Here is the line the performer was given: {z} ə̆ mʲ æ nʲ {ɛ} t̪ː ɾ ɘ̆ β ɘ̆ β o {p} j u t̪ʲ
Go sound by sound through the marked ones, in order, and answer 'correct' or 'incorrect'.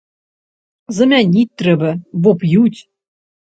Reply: correct, incorrect, correct

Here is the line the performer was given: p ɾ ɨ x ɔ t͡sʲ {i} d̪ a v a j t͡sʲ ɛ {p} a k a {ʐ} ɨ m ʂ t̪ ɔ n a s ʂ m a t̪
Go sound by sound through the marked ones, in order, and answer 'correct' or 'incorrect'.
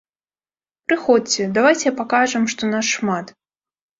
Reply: incorrect, correct, correct

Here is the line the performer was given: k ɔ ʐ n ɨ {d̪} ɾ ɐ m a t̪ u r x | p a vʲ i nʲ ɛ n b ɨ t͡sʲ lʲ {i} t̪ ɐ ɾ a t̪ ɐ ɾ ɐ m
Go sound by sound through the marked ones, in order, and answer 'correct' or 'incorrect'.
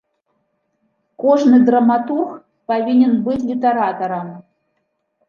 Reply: correct, correct

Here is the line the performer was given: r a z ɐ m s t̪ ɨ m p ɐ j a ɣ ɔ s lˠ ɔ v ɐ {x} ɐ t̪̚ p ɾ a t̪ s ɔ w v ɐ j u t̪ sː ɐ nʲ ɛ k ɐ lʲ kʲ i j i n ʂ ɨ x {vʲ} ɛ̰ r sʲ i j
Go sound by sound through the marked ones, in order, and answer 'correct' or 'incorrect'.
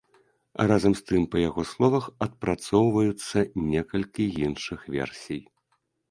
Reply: correct, correct

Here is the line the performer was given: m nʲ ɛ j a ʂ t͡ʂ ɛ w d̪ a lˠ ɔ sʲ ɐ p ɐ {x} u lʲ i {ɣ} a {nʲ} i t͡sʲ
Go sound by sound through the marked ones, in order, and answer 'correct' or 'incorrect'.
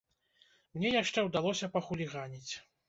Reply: correct, correct, correct

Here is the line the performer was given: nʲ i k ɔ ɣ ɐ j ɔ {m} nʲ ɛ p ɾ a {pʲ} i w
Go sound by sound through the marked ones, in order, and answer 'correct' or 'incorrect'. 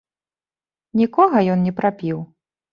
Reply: incorrect, correct

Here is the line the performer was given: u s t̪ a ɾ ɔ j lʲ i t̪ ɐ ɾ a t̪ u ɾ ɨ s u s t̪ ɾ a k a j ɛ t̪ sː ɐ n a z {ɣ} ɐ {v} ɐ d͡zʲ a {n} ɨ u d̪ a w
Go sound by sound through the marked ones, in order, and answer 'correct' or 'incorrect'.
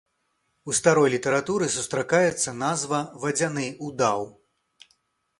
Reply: incorrect, correct, correct

